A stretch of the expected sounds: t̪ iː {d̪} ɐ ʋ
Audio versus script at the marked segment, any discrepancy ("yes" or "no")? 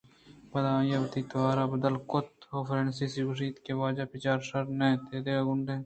yes